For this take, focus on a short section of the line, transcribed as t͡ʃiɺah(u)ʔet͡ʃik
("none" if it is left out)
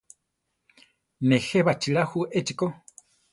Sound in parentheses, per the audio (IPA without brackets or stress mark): u